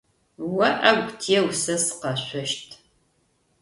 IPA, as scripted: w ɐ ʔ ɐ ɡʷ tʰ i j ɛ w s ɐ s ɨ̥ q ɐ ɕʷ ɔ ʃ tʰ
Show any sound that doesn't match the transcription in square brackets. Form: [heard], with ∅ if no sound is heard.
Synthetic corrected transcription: w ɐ ʔ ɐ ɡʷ tʰ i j ɛ w s ɐ s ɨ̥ q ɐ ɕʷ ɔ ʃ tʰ